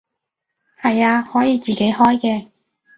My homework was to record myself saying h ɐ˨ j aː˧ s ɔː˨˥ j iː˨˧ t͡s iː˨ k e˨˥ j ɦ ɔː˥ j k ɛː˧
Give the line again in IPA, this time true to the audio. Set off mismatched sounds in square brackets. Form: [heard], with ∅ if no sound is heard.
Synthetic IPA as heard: h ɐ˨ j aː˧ [h] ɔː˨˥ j iː˨˧ t͡s iː˨ k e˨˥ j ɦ ɔː˥ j k ɛː˧